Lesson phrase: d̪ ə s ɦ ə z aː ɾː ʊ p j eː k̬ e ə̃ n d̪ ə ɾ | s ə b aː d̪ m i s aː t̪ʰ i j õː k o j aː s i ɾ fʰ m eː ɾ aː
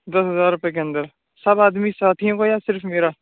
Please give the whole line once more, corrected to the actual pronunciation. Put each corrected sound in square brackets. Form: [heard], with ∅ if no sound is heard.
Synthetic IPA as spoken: d̪ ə s ɦ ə z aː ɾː ʊ p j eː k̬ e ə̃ n d̪ ə ɾ | s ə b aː d̪ m i s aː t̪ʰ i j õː k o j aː s [ɪ] ɾ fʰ m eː ɾ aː